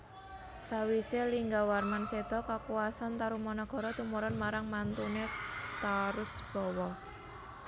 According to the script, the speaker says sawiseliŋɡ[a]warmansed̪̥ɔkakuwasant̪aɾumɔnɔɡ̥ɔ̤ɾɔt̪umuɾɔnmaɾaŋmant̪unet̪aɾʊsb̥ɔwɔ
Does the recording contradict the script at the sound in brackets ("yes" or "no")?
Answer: no